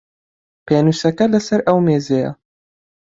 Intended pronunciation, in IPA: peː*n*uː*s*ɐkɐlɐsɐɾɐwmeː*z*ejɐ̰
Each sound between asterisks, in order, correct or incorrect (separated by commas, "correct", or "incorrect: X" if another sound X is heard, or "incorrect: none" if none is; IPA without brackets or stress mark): correct, correct, correct